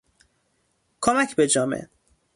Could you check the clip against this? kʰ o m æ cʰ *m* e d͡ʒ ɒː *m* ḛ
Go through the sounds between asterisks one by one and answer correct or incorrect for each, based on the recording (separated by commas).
incorrect, correct